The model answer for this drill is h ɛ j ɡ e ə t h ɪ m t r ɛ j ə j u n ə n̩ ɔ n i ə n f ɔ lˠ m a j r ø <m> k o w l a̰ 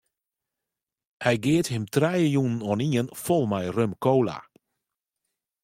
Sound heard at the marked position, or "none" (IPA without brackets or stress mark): m